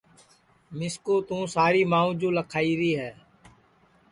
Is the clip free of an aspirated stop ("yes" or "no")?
no